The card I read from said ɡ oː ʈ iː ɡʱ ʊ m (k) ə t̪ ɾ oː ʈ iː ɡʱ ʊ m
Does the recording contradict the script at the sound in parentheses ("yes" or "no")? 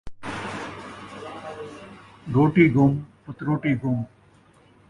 yes